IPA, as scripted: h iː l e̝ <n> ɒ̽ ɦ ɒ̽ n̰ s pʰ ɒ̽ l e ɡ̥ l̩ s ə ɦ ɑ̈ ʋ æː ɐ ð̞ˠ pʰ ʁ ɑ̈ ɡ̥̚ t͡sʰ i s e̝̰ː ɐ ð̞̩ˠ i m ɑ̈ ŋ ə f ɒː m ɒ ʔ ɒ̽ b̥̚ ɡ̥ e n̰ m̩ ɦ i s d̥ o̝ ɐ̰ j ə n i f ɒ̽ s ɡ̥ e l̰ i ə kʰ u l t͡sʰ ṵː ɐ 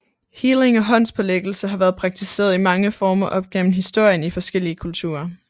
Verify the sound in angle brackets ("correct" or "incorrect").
incorrect